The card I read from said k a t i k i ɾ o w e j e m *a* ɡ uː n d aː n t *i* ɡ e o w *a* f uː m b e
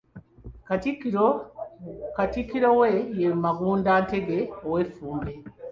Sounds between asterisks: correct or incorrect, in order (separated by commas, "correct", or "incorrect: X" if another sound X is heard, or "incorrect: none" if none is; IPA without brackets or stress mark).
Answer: correct, incorrect: e, incorrect: e